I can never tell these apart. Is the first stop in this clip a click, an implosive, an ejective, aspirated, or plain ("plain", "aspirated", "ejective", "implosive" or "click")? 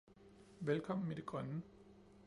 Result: aspirated